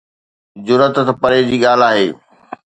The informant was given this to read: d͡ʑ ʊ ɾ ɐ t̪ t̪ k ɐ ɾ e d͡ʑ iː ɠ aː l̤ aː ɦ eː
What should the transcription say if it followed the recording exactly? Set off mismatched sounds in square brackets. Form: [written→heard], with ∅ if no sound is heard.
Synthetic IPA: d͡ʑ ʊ ɾ [ɐ→ə] t̪ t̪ [k→p] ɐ ɾ e d͡ʑ iː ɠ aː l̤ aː ɦ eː